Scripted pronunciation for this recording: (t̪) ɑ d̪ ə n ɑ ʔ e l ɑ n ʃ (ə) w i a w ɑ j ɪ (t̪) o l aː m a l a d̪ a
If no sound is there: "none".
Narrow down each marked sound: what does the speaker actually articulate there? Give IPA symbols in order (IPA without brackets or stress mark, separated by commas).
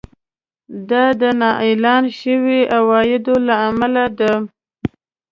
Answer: d̪, ə, d̪